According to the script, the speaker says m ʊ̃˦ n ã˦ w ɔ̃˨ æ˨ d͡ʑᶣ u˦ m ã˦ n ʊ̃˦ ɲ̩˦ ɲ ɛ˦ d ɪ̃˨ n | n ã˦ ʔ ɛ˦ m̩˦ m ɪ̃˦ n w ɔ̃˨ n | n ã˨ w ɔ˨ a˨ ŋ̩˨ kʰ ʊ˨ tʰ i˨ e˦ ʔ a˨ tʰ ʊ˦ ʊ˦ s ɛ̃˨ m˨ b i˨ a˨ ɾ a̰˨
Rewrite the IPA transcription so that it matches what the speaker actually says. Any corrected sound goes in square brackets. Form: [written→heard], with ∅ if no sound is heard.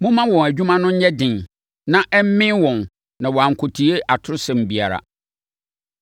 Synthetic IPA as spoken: m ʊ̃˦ [n→m] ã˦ w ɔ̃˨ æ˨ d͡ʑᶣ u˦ m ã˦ n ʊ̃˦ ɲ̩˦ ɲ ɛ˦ d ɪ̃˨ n | n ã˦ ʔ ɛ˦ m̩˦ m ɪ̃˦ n w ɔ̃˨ n | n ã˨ w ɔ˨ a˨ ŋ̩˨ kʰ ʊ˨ tʰ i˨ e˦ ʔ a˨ tʰ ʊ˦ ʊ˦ s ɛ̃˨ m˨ b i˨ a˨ ɾ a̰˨

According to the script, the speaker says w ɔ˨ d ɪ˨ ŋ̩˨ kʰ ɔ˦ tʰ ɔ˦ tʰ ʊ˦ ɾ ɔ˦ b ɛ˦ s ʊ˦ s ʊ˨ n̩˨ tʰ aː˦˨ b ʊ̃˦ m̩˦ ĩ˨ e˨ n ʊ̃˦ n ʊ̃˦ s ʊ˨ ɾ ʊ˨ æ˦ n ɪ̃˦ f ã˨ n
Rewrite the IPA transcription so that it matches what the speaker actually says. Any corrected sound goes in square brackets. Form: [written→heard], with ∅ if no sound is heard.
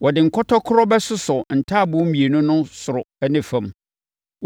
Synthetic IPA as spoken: w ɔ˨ d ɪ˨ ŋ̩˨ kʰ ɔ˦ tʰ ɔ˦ [tʰ→kʰ] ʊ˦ ɾ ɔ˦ b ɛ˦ s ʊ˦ s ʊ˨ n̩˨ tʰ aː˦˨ b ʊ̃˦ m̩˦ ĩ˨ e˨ n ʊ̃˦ n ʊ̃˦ s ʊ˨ ɾ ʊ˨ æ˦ n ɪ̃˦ f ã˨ [n→m]

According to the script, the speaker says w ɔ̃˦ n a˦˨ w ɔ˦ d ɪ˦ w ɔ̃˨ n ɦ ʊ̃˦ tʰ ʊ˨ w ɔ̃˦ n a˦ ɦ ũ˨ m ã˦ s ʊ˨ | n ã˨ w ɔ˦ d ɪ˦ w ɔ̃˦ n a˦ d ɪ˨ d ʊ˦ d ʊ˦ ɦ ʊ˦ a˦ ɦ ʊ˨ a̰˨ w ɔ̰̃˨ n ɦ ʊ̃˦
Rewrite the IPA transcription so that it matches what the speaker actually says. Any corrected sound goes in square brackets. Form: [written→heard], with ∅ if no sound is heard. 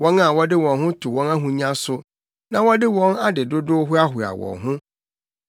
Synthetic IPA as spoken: w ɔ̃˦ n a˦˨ w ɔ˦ d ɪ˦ w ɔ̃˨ n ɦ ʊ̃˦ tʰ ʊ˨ w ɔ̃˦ n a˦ ɦ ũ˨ [m→ɲ] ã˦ s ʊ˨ | n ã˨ w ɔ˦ d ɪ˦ w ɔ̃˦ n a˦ d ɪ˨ d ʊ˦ d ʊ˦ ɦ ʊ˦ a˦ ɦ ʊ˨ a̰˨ w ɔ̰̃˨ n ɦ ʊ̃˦

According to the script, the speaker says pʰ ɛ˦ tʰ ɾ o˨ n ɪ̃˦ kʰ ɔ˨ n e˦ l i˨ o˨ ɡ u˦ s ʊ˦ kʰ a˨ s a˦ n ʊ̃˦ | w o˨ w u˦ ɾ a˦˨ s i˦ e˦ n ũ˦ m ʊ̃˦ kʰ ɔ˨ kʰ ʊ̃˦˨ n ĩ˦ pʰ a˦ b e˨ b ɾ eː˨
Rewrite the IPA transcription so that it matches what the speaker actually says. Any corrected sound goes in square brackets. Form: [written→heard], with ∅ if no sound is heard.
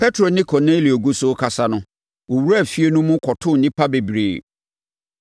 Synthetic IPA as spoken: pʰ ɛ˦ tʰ ɾ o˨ n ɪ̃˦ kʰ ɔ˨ n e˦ l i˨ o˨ ɡ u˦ s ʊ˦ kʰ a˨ s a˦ n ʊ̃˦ | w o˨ w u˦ ɾ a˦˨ [s→f] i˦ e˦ n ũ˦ m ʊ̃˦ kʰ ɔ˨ [kʰ→tʰ] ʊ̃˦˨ n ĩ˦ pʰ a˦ b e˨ b ɾ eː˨

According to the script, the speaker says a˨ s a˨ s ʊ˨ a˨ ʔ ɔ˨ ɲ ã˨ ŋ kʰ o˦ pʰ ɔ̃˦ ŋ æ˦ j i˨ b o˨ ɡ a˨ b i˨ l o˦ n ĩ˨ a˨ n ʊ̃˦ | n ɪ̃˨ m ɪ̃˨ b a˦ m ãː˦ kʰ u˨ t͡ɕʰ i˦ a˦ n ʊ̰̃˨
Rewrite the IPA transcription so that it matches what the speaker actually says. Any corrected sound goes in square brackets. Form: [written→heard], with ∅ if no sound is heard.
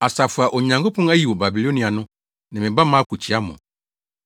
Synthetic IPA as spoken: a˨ s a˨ [s→f] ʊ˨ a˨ ʔ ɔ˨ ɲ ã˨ ŋ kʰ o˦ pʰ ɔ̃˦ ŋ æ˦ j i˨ [b→w] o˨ [ɡ→b] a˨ b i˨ l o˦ n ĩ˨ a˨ n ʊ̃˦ | n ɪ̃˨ m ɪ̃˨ b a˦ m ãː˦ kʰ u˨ t͡ɕʰ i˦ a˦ [n→m] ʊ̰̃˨

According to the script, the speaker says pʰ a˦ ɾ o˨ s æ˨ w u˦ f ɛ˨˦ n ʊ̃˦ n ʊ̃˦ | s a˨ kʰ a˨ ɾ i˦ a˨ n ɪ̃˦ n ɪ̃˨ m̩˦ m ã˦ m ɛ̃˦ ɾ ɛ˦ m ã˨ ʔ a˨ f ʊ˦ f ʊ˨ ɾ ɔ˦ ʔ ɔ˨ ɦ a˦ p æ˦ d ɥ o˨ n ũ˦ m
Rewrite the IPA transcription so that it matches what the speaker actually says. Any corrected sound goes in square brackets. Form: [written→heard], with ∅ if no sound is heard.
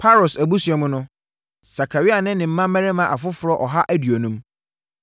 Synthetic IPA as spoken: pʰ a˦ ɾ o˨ s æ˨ [w→b] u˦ [f→s] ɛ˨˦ [n→m] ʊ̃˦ n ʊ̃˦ | s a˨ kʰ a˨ ɾ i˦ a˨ n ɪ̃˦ n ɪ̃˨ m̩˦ m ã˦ m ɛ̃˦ ɾ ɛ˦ m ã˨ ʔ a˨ f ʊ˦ f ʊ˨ ɾ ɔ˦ ʔ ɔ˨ ɦ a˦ [p→ʔ] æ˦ d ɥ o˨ n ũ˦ m

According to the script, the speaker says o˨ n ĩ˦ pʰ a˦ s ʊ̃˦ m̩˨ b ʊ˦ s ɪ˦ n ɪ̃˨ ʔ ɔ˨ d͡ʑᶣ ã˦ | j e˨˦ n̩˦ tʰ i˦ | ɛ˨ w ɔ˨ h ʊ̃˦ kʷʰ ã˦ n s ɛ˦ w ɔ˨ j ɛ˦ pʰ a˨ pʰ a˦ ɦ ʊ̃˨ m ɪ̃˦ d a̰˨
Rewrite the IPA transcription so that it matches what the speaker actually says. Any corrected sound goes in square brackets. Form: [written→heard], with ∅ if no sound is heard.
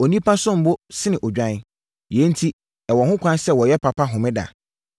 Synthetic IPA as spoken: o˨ n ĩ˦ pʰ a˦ s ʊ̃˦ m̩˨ b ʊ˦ s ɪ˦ n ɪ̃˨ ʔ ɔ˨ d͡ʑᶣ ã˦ | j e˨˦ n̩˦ tʰ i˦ | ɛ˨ w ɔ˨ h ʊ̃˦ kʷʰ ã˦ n s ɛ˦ w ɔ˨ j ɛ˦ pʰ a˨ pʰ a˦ ɦ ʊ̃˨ m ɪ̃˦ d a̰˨

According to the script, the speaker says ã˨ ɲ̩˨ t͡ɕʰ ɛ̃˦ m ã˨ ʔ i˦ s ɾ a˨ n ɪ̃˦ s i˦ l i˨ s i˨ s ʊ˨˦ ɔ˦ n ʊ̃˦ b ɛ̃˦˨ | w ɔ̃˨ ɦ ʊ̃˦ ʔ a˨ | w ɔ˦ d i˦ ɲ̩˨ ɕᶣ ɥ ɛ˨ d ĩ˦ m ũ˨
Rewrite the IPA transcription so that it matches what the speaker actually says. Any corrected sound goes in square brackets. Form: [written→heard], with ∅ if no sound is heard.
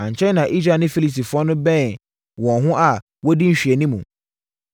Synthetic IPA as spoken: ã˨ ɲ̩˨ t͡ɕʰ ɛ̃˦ [m→n] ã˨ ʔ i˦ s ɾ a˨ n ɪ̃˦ [s→f] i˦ l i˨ s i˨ [s→f] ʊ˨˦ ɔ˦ n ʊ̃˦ b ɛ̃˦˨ | w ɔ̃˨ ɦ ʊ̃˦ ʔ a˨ | w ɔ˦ d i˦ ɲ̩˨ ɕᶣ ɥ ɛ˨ [d→n] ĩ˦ m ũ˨

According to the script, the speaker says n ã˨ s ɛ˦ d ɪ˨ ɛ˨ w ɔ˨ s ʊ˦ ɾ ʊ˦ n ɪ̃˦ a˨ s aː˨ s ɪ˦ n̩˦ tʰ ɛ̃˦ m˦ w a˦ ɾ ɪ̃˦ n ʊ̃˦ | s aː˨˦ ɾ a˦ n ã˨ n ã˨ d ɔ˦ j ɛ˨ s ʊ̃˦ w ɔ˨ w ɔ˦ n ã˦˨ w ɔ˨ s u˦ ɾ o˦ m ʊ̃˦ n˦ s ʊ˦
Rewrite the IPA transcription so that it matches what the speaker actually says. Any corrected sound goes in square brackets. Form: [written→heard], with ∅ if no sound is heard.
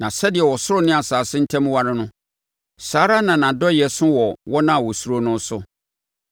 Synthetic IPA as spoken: n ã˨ s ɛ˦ d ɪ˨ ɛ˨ w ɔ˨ s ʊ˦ ɾ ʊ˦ n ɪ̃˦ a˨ s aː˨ s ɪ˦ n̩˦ tʰ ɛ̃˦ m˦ w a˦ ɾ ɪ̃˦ n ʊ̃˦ | s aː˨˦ ɾ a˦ n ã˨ n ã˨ d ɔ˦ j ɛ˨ s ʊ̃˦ w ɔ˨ w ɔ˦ n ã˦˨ w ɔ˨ s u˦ ɾ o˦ [m→n] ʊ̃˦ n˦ s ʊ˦

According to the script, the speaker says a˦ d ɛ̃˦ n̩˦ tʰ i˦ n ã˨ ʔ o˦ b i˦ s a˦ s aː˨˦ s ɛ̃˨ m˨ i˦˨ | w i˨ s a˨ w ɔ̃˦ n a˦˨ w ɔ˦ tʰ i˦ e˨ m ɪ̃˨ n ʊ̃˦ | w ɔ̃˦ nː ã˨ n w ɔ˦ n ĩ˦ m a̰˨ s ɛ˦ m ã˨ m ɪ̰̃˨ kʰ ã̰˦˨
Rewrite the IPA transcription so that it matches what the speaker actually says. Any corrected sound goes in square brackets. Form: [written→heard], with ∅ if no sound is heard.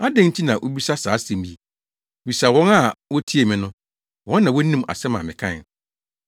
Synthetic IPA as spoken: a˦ d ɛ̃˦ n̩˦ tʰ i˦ n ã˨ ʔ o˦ b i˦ s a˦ s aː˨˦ s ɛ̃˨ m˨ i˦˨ | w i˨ s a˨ w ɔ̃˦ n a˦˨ w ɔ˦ tʰ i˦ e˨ m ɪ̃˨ n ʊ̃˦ | w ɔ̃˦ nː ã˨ [n→∅] w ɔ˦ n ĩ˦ m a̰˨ s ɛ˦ m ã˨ m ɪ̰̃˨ kʰ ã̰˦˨

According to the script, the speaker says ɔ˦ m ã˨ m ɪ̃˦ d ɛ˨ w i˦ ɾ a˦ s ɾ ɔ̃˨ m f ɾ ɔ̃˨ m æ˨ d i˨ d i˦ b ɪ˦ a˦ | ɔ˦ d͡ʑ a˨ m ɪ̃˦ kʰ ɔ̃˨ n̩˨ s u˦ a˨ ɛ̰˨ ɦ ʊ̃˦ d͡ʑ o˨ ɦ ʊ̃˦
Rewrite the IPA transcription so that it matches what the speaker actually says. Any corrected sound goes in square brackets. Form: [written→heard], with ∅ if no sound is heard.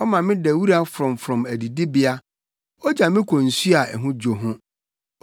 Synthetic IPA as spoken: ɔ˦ m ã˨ m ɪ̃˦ d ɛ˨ w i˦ ɾ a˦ [s→f] ɾ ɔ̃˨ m f ɾ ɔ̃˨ m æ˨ d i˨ d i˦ b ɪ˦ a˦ | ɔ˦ d͡ʑ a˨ m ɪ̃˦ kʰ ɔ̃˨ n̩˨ s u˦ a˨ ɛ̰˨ ɦ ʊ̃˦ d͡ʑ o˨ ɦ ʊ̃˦

